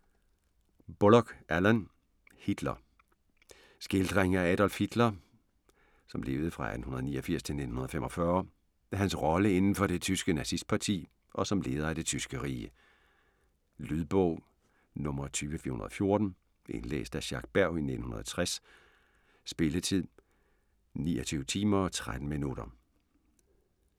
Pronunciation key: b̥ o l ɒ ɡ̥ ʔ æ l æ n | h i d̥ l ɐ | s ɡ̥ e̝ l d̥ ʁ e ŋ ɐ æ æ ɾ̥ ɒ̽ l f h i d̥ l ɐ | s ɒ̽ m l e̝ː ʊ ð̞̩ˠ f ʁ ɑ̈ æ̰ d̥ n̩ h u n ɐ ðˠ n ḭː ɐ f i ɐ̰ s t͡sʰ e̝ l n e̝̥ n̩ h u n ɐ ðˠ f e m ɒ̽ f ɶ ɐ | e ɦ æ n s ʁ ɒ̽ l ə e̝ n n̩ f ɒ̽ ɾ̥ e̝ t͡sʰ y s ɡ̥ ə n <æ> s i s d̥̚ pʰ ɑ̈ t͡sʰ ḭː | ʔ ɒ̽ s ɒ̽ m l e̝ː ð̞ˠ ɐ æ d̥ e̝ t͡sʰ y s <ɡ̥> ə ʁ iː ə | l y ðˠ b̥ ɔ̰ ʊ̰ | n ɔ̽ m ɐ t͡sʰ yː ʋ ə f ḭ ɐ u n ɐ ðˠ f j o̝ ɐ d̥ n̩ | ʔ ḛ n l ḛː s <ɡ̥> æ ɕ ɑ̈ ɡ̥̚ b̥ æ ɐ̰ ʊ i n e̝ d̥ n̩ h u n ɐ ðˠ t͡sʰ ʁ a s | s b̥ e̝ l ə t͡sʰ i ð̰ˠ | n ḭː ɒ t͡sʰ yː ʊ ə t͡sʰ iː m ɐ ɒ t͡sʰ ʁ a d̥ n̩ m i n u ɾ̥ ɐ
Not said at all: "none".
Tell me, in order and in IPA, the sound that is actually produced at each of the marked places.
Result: æ, ɡ̥, d̥

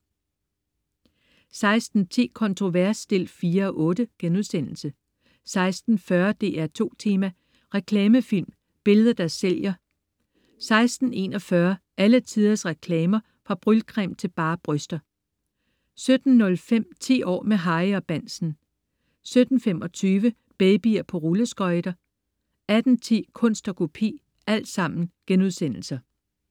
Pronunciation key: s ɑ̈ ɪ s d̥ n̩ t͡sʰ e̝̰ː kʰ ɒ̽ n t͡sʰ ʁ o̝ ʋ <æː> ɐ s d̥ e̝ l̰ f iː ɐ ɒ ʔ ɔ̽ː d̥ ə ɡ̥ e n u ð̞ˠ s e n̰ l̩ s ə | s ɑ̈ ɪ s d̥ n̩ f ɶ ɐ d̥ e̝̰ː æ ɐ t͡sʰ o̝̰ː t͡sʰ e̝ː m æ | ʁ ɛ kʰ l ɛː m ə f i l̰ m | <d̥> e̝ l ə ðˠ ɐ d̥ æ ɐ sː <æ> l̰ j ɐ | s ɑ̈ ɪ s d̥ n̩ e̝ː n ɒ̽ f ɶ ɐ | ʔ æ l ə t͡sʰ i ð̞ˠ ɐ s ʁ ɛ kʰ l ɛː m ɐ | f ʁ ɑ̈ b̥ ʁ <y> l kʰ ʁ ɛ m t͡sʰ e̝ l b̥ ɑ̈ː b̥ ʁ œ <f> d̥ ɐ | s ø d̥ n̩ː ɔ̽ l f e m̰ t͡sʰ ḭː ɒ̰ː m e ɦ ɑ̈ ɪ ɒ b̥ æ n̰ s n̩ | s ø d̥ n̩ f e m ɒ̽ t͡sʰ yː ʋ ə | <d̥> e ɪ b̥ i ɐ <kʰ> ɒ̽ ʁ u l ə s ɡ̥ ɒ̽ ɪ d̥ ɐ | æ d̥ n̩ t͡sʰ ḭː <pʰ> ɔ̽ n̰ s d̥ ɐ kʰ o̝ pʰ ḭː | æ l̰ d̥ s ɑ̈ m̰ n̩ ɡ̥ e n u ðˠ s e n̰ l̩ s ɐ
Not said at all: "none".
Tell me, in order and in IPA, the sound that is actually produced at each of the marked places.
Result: æ, b̥, e, y, s, b̥, pʰ, kʰ

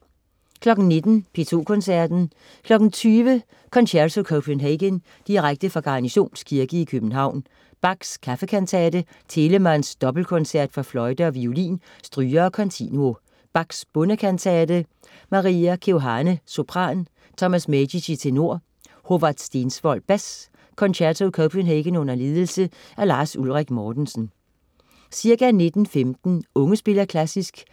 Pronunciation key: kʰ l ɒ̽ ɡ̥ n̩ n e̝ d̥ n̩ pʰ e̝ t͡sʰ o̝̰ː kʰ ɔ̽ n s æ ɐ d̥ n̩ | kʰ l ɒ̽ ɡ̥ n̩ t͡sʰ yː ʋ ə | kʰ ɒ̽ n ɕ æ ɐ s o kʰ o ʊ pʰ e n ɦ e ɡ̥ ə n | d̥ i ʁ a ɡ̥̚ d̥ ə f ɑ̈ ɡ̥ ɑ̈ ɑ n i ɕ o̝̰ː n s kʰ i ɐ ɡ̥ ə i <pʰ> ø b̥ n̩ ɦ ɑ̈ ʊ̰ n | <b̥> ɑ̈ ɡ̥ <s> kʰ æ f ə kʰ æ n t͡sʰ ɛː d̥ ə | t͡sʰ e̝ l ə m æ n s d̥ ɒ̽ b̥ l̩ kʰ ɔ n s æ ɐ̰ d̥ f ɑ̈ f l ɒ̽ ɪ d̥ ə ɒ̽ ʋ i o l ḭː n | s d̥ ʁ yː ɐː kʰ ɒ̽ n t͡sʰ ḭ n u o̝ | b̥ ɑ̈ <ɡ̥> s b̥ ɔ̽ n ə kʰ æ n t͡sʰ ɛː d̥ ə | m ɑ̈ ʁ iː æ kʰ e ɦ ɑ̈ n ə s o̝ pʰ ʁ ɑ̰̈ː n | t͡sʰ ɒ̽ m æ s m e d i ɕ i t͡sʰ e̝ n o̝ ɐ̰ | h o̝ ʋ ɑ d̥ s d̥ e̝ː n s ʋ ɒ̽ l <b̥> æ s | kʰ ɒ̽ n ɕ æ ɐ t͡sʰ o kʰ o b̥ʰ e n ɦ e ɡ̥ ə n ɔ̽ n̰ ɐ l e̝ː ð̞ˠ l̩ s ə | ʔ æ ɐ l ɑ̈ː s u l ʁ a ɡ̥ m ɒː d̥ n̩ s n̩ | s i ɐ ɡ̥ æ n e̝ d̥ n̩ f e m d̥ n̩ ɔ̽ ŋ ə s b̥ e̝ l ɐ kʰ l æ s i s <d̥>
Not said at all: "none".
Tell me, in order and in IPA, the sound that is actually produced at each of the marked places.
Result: kʰ, b̥, s, ɡ̥, b̥, ɡ̥

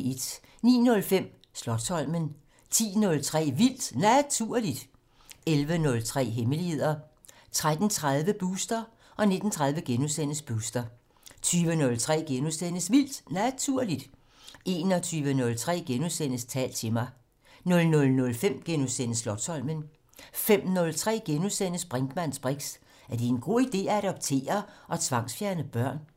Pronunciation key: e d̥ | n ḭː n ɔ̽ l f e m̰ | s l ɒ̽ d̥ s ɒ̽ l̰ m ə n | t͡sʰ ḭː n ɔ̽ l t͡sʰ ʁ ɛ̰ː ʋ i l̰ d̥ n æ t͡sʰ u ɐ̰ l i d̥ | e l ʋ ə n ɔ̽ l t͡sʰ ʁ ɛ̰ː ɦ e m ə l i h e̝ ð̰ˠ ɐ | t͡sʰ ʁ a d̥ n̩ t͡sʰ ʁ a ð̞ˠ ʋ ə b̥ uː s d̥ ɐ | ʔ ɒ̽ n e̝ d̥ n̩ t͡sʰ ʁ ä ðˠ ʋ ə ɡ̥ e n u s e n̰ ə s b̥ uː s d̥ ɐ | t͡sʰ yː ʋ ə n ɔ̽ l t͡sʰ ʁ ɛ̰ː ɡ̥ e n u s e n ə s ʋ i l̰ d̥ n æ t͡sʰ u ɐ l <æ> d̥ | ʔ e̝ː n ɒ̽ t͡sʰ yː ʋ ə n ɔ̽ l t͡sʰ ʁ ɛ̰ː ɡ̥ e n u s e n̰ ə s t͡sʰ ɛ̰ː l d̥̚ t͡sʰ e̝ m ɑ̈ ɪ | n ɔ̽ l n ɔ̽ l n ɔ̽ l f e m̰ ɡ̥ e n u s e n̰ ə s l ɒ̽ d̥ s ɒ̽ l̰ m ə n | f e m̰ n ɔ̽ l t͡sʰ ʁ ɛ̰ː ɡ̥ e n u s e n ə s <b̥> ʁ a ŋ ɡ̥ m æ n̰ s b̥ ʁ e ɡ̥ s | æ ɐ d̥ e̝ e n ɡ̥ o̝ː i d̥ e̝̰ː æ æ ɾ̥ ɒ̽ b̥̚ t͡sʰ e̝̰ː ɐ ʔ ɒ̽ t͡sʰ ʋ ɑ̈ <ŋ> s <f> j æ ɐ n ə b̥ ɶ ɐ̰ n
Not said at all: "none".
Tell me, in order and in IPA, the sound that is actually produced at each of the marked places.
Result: i, b̥, ŋ, f

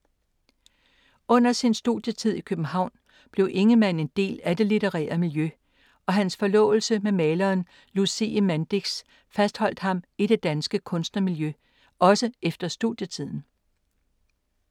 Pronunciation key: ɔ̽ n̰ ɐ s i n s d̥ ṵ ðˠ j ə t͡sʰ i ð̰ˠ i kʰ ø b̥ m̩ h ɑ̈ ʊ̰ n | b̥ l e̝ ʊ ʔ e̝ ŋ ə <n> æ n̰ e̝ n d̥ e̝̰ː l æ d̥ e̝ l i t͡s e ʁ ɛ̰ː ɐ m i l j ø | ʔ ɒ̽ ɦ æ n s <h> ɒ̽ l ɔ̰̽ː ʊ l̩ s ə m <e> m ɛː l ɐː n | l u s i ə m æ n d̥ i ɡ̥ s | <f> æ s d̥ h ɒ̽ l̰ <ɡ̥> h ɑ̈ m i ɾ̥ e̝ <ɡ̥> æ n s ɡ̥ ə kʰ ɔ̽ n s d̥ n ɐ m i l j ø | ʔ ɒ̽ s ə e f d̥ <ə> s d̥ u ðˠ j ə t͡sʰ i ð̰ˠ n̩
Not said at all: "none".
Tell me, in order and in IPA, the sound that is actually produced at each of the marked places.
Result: m, f, e, f, d̥, d̥, ɐ

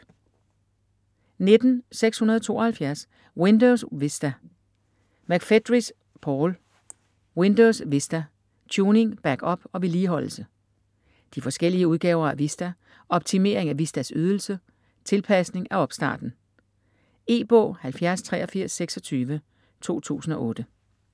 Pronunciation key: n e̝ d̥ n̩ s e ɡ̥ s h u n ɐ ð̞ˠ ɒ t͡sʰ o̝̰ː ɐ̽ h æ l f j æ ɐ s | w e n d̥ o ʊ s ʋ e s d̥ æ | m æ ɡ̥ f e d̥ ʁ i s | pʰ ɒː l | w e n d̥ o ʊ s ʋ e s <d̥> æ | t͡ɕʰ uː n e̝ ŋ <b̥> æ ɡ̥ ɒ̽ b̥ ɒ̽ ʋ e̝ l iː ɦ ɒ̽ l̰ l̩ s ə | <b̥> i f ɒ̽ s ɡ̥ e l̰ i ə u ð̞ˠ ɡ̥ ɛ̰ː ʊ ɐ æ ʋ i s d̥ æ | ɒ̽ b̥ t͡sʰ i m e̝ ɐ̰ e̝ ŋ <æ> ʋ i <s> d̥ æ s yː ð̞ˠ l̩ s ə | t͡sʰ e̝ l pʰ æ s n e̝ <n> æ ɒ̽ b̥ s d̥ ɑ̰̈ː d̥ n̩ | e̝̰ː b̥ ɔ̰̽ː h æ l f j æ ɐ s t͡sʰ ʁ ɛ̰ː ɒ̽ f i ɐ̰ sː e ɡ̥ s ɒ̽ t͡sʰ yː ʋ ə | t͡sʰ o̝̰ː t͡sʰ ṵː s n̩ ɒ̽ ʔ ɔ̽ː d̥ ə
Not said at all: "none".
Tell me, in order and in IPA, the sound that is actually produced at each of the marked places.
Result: d̥, b̥, d̥, æ, s, ŋ

